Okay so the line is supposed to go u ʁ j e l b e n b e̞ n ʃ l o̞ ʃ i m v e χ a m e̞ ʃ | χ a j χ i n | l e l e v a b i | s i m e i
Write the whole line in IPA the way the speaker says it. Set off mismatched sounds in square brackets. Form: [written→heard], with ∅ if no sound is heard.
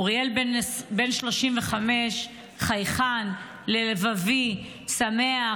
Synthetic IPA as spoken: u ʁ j e l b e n b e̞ n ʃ l o̞ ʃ i m v e χ a m e̞ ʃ | χ a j χ [i→a] n | l e l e v a [b→v] i | s [i→a] m e [i→a]